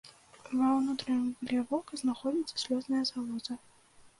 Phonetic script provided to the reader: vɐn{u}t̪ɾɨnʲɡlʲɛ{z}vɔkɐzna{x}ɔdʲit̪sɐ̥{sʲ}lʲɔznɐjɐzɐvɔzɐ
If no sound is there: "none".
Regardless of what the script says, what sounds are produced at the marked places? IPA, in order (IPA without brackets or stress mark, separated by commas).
u, none, x, sʲ